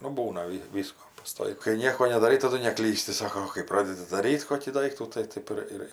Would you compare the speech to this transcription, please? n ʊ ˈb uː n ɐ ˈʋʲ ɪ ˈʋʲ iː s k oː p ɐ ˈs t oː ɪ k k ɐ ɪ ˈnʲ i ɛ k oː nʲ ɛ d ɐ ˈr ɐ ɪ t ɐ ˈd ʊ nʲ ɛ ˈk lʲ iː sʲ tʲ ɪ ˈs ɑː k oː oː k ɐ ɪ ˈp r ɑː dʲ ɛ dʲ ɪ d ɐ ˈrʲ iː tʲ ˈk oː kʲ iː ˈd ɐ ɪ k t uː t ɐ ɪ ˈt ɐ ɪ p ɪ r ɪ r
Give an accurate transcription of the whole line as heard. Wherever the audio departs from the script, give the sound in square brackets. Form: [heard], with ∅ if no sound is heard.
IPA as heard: n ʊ ˈb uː n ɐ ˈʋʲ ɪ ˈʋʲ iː s k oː p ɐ ˈs t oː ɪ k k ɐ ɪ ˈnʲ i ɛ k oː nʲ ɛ d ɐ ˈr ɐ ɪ t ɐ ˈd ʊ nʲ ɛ ˈk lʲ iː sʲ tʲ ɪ ˈs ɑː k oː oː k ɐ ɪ ˈp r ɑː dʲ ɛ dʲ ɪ d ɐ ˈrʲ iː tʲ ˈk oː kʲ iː ˈd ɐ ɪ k t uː t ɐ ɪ ˈt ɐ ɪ p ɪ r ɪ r